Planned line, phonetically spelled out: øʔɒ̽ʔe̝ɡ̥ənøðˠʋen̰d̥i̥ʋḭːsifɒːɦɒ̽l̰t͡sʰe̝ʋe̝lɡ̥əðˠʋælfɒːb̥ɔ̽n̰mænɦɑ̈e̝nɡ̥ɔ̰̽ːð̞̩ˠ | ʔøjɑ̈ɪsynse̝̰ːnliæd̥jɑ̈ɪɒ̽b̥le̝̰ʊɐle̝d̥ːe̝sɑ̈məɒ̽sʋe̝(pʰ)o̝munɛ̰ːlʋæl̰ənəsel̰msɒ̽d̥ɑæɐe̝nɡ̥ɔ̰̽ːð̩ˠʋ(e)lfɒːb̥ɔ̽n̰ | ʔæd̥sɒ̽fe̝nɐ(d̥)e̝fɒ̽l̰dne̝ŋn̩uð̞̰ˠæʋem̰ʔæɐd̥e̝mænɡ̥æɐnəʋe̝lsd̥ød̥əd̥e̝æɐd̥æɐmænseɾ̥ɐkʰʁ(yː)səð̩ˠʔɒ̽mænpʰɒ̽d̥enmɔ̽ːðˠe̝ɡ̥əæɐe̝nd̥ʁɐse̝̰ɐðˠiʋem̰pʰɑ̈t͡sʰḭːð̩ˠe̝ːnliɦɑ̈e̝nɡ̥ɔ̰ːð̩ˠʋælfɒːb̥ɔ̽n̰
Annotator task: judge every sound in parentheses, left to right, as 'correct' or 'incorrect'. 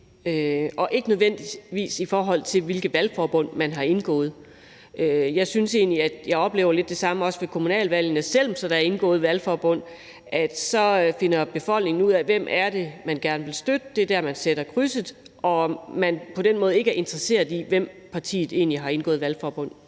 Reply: incorrect: kʰ, incorrect: æ, incorrect: b̥, incorrect: y

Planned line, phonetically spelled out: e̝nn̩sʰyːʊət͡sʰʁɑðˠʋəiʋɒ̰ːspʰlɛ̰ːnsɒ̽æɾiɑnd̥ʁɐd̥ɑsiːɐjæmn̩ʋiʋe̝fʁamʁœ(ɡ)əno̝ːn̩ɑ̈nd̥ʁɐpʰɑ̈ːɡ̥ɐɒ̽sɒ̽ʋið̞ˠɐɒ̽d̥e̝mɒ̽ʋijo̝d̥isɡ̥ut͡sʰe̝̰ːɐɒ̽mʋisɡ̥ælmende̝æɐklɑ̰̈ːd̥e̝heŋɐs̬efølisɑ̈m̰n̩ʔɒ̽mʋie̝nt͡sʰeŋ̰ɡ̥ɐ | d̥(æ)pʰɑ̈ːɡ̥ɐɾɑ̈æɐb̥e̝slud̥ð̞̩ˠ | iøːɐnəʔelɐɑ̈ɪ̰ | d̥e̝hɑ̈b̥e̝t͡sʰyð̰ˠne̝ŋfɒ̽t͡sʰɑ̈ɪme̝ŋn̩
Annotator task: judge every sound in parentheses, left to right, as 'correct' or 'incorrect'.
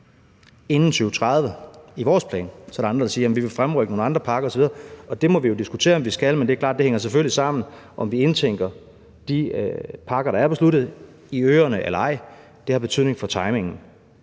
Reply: correct, incorrect: i

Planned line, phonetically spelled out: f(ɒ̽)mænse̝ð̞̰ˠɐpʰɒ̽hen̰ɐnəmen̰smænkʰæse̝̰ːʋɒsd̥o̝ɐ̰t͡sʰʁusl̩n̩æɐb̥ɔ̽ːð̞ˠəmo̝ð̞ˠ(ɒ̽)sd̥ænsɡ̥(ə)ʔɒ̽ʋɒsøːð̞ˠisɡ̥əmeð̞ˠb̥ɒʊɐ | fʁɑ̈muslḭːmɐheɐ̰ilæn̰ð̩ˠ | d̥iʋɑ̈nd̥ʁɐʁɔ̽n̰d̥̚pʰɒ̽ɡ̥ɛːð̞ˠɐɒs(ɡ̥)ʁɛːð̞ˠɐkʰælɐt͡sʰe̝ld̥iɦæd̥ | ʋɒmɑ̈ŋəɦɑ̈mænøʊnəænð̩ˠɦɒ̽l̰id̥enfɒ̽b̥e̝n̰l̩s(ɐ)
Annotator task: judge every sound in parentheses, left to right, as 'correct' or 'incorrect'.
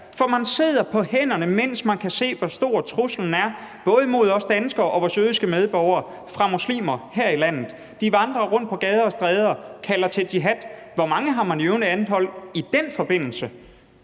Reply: correct, correct, incorrect: ɐ, incorrect: d̥, incorrect: ə

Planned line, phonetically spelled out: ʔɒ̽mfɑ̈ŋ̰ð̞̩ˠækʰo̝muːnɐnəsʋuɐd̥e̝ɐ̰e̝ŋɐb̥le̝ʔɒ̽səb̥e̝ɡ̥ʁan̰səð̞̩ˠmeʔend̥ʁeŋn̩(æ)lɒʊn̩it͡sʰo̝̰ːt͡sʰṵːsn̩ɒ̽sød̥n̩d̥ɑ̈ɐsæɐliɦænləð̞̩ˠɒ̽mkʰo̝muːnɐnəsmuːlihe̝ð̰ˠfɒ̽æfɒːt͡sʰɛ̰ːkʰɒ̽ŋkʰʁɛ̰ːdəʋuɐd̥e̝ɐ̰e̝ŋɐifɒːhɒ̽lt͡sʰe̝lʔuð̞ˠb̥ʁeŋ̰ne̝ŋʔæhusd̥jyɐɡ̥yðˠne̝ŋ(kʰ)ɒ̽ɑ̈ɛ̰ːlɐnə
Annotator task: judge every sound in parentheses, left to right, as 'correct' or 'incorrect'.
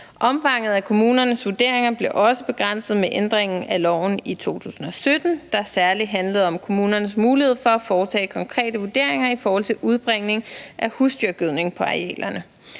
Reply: correct, incorrect: pʰ

